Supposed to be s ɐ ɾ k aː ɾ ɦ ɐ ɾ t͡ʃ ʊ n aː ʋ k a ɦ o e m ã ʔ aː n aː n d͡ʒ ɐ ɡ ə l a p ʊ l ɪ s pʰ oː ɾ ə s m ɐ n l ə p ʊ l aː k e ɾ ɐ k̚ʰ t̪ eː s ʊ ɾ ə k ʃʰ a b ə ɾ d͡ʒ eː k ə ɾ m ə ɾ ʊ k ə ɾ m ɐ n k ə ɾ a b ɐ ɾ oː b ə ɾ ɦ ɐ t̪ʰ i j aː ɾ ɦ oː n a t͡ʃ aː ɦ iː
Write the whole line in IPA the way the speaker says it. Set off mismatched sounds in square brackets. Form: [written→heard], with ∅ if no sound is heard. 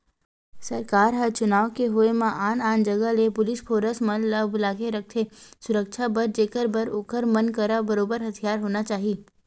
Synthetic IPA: s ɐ ɾ k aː ɾ ɦ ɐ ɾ t͡ʃ ʊ n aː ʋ k [a→e] ɦ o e m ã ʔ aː n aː n d͡ʒ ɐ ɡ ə l [a→e] p ʊ l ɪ s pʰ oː ɾ ə s m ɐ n l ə [p→b] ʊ l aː k e ɾ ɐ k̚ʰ [t̪→t̪ʰ] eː s ʊ ɾ ə k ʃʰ a b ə ɾ d͡ʒ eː k ə ɾ [m→b] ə ɾ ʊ k ə ɾ m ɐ n k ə ɾ a b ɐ ɾ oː b ə ɾ ɦ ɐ t̪ʰ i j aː ɾ ɦ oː n a t͡ʃ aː ɦ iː

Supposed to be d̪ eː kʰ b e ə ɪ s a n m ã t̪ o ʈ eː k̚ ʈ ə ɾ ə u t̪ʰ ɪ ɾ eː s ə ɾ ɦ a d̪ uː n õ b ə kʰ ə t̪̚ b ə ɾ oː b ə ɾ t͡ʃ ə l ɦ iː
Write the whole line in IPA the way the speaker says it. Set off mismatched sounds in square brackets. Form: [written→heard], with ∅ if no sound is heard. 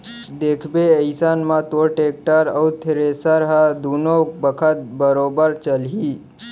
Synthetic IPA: d̪ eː kʰ b e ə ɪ s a n m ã t̪ o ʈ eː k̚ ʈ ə ɾ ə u t̪ʰ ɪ ɾ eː s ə ɾ ɦ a d̪ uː n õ b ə kʰ ə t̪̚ b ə ɾ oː b ə ɾ t͡ʃ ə l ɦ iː

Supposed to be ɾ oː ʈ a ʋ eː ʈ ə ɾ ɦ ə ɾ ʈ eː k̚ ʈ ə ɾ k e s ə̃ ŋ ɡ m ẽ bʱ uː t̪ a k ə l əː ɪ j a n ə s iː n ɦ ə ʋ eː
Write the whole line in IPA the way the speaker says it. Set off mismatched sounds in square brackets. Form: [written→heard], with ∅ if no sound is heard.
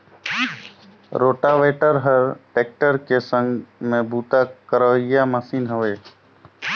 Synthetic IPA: ɾ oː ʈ a ʋ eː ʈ ə ɾ ɦ ə ɾ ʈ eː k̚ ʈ ə ɾ k e s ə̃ ŋ ɡ m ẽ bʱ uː t̪ a k ə [l→ɾ] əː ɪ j a [n→m] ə s iː n ɦ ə ʋ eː

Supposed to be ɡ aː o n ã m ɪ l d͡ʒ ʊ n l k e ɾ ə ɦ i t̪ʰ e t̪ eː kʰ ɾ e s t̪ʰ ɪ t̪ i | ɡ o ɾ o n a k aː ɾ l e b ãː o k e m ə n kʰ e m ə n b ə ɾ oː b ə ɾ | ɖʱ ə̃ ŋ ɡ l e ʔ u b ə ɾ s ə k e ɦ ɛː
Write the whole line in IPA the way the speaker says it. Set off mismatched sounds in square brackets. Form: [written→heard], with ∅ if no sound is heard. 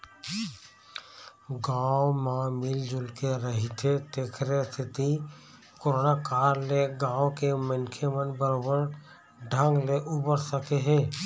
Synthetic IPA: ɡ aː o [n→m] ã m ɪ l d͡ʒ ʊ [n→∅] l k e ɾ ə ɦ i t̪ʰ e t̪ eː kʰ ɾ e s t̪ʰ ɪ t̪ i | [ɡ→k] o ɾ o n a k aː ɾ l e [b→ɡ] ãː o k e m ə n kʰ e m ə n b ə ɾ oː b ə ɾ | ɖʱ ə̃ ŋ ɡ l e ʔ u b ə ɾ s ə k e ɦ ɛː

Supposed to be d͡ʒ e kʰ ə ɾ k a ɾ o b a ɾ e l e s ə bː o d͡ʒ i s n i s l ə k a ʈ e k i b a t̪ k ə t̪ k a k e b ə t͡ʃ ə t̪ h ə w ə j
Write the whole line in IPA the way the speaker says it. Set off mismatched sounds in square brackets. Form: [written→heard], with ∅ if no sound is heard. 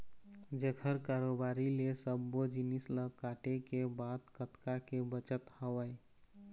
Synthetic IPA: d͡ʒ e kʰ ə ɾ k a ɾ o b a ɾ [e→i] l e s ə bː o d͡ʒ i [s→∅] n i s l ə k a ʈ e k [i→e] b a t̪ k ə t̪ k a k e b ə t͡ʃ ə t̪ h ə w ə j

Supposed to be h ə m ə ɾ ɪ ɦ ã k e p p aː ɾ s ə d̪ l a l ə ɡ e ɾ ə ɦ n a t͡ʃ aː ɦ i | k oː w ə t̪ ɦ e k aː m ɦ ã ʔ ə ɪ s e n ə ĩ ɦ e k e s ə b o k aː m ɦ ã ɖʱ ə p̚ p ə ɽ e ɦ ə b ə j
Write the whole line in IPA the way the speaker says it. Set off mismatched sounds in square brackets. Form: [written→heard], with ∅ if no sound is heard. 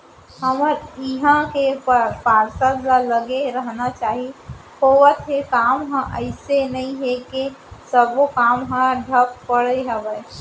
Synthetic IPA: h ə m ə ɾ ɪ ɦ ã k e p p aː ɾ s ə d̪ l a l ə ɡ e ɾ ə ɦ n a t͡ʃ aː ɦ i | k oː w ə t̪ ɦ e k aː m ɦ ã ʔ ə ɪ s e n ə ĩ ɦ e k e s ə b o k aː m ɦ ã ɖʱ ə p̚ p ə ɽ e ɦ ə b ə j

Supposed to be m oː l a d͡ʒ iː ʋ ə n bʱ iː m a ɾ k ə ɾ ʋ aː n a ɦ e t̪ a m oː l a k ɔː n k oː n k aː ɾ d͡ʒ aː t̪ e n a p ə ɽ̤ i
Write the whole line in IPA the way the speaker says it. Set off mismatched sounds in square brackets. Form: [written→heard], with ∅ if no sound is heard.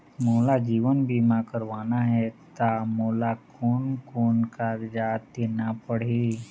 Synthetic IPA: m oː l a d͡ʒ iː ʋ ə n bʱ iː m a [ɾ→∅] k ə ɾ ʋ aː n a ɦ [e→ɛ] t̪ a m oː l a k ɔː n k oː n k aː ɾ d͡ʒ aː t̪ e n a p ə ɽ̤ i

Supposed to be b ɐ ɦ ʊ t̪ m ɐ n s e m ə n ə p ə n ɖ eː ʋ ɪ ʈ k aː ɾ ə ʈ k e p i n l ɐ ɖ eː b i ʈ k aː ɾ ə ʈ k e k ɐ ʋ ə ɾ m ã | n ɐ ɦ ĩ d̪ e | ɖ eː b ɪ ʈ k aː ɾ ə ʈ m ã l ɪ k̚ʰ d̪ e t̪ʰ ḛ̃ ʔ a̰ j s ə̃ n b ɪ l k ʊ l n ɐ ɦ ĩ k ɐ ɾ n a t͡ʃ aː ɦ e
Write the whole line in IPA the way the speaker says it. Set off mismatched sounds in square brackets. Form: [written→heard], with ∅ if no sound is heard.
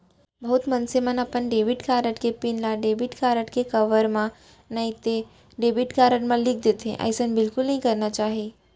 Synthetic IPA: b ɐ ɦ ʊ t̪ m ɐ n s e m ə n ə p ə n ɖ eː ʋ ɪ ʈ k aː ɾ ə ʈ k e p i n l [ɐ→a] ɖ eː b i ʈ k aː ɾ ə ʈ k e k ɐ ʋ ə ɾ m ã | n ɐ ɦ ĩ [d̪→t̪] e | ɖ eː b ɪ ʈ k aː ɾ ə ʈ m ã l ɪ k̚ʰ d̪ e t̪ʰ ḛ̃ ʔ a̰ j s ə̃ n b ɪ l k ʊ l n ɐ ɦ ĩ k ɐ ɾ n a t͡ʃ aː ɦ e

